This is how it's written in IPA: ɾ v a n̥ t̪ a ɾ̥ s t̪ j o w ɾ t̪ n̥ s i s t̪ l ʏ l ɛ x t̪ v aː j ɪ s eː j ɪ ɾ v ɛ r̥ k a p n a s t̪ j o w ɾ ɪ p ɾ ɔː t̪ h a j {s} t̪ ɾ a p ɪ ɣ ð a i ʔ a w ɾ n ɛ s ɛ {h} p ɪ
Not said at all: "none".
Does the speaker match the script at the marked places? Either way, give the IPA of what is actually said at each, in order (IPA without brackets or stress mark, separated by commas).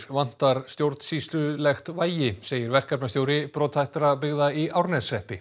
h, h